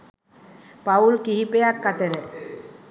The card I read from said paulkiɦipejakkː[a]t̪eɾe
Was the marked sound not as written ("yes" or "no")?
no